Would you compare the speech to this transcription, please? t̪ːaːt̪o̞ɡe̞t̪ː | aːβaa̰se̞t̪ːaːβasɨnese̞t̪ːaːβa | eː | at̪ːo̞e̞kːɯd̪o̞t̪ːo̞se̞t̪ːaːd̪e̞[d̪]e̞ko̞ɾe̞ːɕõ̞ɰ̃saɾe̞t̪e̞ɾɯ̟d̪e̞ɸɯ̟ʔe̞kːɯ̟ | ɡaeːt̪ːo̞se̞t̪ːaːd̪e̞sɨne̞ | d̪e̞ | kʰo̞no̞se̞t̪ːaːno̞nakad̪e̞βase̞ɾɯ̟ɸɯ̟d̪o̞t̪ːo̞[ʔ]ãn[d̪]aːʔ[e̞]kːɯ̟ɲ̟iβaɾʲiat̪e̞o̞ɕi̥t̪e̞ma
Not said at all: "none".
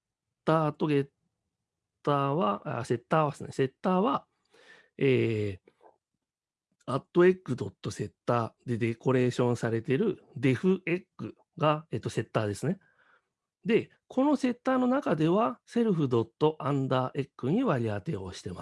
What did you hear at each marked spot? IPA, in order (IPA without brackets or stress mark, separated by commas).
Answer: d̪, ʔ, d̪, e̞